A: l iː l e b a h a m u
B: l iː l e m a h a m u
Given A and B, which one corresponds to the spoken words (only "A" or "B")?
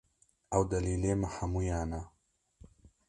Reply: B